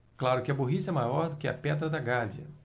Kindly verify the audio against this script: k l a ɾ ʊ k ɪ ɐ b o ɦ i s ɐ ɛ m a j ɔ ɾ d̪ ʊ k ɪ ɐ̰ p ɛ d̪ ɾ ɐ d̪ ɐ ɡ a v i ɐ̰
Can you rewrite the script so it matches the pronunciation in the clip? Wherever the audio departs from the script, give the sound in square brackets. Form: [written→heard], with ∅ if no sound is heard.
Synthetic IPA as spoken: k l a ɾ ʊ k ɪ ɐ b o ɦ i s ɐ ɛ m a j ɔ ɾ d̪ ʊ k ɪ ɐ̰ p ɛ d̪ ɾ ɐ d̪ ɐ ɡ a v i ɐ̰